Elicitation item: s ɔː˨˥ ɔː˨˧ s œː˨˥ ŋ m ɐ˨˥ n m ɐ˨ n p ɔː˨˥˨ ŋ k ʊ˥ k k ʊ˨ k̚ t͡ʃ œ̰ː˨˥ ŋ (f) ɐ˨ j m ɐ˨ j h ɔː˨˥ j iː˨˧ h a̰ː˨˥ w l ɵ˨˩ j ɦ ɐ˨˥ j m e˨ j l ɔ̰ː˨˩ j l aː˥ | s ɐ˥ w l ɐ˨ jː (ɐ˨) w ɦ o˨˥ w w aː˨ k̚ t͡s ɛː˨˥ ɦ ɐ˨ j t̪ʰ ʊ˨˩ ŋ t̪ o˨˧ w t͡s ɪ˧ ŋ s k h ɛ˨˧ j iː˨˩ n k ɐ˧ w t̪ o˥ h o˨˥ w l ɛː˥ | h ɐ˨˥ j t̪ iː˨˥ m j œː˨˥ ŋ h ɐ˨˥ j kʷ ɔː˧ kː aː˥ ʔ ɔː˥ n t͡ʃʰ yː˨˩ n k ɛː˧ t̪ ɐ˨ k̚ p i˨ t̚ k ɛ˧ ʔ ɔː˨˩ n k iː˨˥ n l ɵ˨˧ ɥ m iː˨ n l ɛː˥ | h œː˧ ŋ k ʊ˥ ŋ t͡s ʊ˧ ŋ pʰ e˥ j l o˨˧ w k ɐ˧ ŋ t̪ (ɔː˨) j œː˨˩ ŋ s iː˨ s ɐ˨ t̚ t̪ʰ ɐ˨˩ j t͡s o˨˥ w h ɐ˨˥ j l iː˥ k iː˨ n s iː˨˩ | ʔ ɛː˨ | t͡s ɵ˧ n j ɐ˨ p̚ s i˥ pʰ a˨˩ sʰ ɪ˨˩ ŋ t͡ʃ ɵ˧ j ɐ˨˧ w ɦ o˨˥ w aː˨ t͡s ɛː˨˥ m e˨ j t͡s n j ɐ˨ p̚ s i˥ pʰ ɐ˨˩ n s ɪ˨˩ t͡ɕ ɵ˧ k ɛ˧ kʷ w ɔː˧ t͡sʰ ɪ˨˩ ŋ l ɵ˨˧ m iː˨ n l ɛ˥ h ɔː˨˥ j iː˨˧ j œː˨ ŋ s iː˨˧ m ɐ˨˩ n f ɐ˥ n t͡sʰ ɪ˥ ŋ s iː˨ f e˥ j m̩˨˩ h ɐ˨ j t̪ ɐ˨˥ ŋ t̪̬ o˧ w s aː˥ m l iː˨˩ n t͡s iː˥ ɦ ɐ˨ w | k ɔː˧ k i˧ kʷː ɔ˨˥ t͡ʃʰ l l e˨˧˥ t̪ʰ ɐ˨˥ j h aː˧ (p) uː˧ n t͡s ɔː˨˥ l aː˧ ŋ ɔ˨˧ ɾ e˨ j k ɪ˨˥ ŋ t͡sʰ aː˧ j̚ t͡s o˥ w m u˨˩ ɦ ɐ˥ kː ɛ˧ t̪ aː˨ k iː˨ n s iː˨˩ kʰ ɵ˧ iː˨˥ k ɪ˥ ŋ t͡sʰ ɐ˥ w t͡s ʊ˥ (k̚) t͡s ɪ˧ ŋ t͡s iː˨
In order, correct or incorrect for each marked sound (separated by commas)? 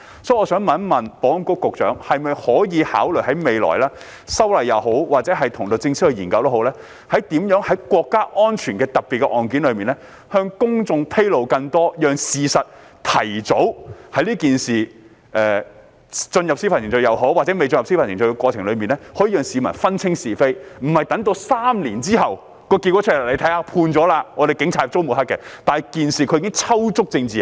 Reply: incorrect, correct, incorrect, incorrect, correct